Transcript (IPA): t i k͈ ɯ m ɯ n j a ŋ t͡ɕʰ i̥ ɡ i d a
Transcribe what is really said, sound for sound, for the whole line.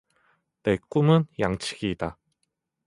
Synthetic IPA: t e k͈ u m ɯ n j a ŋ t͡ɕʰ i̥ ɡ i d a